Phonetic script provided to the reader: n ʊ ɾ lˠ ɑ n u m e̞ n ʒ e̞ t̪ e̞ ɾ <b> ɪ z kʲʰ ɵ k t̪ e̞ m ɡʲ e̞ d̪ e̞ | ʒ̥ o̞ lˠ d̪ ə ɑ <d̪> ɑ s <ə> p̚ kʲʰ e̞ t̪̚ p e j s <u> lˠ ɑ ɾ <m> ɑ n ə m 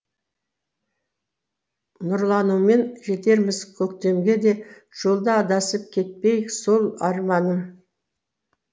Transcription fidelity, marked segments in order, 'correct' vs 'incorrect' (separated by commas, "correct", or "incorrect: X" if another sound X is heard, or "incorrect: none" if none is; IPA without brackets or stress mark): incorrect: m, correct, correct, incorrect: o, correct